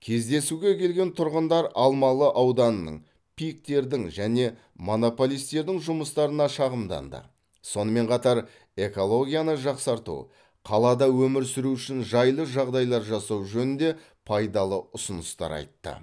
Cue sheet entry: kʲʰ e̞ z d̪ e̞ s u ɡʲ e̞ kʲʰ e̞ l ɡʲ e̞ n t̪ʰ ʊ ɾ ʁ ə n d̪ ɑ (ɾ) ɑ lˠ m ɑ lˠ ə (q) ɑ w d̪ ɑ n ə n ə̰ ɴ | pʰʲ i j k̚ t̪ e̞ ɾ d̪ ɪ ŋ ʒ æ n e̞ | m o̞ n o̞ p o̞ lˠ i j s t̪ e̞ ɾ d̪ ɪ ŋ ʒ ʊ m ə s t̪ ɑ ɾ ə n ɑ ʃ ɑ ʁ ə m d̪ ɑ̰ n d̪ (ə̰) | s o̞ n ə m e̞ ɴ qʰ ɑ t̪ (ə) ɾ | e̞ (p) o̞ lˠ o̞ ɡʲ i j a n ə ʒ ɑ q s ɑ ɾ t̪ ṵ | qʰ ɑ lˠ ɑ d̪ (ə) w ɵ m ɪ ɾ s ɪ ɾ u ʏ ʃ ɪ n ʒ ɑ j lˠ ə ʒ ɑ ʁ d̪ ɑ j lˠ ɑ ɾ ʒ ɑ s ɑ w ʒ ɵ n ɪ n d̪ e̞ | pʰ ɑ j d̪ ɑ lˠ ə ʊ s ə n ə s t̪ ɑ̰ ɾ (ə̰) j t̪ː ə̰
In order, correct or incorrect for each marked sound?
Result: correct, incorrect: ʔ, correct, incorrect: ɑ, incorrect: k, incorrect: ɑ, incorrect: ɑ̰

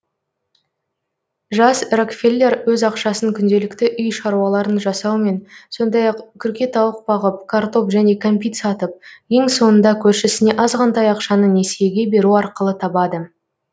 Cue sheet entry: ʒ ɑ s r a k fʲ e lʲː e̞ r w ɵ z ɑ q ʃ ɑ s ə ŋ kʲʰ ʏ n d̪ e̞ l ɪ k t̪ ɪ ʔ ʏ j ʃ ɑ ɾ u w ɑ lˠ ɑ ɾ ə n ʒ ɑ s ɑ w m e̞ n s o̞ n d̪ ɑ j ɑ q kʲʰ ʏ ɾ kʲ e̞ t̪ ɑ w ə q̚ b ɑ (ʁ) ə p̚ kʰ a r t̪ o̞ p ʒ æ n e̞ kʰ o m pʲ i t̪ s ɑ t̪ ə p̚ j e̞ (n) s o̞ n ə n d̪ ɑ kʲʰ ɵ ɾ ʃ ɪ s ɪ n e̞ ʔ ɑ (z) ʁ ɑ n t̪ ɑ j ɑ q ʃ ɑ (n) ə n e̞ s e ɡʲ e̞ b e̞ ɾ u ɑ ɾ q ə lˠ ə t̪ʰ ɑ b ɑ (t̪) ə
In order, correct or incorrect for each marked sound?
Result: correct, incorrect: ŋ, correct, correct, incorrect: d̪

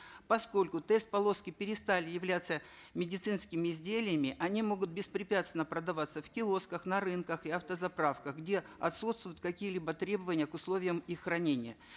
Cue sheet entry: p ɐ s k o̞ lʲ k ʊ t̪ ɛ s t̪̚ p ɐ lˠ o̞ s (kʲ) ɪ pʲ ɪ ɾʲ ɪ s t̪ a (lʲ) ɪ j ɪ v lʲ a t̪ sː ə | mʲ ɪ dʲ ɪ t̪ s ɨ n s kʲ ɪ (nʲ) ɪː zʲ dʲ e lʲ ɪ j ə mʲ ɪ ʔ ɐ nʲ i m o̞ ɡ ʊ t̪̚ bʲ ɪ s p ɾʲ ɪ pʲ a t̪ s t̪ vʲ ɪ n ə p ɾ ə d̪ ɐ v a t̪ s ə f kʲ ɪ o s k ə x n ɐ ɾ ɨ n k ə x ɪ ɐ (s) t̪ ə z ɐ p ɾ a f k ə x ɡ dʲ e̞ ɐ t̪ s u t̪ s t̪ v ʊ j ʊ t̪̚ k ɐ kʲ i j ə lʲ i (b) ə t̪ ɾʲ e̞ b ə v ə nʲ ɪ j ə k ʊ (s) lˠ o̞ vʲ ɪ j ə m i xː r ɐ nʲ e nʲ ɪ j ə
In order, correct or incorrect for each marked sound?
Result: correct, correct, incorrect: mʲ, incorrect: f, correct, correct

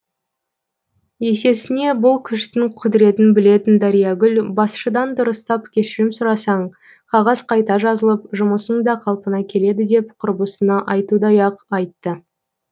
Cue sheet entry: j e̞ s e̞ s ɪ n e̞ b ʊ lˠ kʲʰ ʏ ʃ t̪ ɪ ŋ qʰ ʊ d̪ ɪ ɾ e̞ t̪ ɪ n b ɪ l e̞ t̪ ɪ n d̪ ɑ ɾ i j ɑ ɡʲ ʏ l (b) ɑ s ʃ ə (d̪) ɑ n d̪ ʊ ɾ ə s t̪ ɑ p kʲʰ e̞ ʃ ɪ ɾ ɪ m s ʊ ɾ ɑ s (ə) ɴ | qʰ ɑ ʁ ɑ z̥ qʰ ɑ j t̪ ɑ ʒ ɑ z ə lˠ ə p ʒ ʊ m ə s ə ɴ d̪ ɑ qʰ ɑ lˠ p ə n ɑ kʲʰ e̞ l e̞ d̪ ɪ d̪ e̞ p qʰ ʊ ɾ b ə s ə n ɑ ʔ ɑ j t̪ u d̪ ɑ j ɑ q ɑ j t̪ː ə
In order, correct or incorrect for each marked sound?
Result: correct, correct, incorrect: ɑ

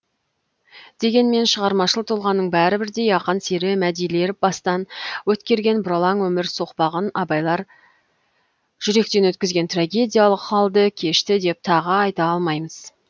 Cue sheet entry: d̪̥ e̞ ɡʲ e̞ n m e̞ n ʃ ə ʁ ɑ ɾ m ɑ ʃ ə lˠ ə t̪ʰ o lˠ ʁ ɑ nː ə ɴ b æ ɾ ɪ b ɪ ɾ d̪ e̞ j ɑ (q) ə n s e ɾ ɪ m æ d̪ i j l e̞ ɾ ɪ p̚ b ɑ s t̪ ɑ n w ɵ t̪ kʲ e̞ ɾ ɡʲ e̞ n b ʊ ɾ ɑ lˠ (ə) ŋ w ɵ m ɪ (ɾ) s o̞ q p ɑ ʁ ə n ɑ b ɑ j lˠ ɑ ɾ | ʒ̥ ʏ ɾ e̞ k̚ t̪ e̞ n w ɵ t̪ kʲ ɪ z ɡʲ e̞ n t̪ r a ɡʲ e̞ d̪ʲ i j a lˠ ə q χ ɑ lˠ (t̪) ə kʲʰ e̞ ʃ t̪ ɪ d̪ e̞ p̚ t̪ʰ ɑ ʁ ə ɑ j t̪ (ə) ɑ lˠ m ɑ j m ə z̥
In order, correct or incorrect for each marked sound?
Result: correct, incorrect: ɑ, correct, incorrect: d̪, incorrect: ɑ

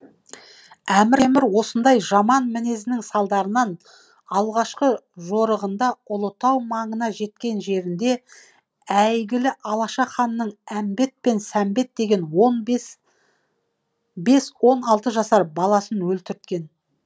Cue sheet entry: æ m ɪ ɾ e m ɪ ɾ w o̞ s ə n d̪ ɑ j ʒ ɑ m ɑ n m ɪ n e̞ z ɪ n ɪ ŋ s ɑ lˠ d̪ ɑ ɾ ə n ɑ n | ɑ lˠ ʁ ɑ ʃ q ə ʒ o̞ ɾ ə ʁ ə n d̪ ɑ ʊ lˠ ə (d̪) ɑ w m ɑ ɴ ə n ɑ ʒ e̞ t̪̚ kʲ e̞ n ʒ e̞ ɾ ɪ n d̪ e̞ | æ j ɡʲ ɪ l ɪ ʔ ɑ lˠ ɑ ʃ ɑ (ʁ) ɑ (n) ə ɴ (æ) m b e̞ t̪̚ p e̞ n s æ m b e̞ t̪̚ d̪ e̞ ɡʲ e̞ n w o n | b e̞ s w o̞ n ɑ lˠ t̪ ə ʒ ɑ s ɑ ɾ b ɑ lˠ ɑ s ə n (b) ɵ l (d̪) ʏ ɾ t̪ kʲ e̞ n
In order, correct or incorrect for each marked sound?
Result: incorrect: t̪, incorrect: χ, incorrect: nː, correct, incorrect: w, incorrect: t̪

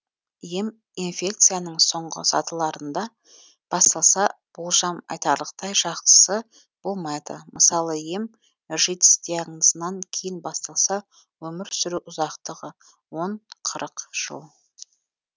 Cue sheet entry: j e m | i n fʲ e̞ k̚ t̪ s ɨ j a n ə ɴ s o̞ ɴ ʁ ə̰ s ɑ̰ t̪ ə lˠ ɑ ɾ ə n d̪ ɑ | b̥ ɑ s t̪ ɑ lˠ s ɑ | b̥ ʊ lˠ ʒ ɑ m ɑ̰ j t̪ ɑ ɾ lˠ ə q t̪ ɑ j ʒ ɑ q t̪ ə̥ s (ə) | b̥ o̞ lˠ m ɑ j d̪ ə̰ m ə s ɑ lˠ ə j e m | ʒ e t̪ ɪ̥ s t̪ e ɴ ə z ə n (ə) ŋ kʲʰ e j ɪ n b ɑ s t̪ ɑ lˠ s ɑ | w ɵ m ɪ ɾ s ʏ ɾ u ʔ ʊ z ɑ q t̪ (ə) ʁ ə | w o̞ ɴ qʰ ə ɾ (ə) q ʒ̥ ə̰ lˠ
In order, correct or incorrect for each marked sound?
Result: correct, incorrect: ɑ, correct, correct

